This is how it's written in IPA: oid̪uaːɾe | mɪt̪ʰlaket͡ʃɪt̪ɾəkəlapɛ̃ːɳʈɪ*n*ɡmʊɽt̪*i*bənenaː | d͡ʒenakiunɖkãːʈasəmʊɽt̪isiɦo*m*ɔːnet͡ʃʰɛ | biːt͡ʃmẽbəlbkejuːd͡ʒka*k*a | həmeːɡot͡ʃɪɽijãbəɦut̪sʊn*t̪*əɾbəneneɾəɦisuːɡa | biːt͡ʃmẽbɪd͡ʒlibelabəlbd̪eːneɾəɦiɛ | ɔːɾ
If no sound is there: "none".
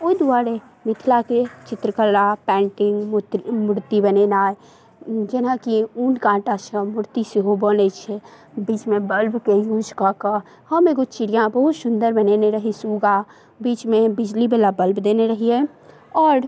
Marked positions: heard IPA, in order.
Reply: ŋ, i, b, k, d̪

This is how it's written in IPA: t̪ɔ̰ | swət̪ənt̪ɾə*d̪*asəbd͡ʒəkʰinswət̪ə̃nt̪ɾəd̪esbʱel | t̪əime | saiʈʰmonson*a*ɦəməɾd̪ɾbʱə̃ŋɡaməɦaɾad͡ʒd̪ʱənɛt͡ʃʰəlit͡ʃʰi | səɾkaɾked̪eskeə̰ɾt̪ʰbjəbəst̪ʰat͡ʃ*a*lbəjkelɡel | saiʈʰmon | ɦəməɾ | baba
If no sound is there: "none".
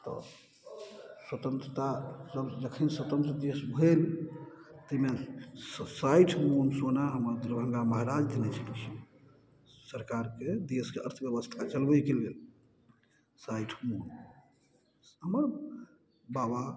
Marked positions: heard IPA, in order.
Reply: t̪, a, ə

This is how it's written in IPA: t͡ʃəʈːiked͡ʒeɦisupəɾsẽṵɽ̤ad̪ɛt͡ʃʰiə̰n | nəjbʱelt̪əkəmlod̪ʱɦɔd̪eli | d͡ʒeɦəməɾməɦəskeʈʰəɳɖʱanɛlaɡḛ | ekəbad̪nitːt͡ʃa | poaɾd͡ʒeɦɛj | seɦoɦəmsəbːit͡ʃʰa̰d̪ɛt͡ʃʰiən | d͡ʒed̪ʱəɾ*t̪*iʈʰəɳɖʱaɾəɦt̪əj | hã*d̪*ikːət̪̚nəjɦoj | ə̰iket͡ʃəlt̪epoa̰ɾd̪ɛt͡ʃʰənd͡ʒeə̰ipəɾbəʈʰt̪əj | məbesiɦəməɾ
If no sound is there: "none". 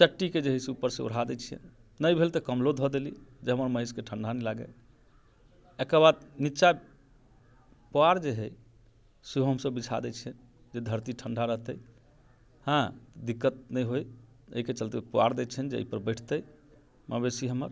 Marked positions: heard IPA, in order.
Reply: t̪, d̪

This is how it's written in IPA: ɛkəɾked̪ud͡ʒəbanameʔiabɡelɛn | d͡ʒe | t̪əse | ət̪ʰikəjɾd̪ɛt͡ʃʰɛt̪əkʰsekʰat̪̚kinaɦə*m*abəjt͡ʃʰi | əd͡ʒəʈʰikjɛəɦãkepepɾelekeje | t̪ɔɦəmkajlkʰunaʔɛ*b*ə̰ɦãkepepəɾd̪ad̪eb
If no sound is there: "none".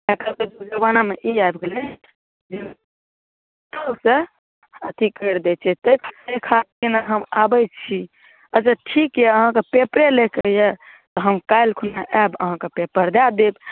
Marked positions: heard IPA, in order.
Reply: m, b

